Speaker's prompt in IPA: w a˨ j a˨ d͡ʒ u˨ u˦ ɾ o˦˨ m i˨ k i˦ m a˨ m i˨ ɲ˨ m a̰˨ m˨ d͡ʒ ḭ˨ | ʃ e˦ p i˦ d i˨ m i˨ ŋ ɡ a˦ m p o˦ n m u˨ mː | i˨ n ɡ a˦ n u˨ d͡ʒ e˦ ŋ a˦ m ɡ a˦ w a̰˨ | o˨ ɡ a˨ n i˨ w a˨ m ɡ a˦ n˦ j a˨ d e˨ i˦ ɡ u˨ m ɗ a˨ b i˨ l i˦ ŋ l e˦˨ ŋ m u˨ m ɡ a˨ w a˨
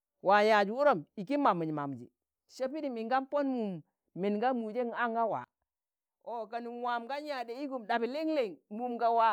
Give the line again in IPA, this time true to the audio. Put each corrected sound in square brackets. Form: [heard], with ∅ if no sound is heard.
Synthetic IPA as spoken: w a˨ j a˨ d͡ʒ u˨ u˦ ɾ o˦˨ m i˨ k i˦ m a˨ m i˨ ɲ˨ m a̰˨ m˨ d͡ʒ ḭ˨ | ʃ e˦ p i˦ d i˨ m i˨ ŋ ɡ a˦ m p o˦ n m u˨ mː | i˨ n ɡ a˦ [m] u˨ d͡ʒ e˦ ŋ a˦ [ŋ] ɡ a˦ w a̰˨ | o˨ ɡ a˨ n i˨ w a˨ m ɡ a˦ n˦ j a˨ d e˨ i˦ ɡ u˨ m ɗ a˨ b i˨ l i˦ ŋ l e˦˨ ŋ m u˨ m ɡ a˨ w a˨